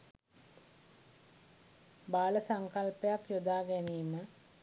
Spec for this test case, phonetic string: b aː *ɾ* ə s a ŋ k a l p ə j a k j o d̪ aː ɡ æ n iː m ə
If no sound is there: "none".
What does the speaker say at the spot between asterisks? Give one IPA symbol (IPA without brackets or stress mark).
l